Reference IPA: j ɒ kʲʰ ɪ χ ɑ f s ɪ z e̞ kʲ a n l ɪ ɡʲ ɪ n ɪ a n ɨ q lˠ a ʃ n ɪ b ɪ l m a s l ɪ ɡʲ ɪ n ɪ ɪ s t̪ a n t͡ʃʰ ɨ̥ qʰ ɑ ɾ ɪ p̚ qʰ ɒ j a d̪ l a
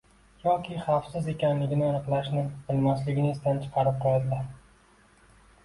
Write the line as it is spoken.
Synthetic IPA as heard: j ɒ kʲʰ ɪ χ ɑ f s ɪ z e̞ kʲ a n l ɪ ɡʲ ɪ n ɪ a n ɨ q lˠ a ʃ n ɪ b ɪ l m a s l ɪ ɡʲ ɪ n ɪ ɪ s t̪ a n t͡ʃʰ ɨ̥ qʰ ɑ ɾ ɪ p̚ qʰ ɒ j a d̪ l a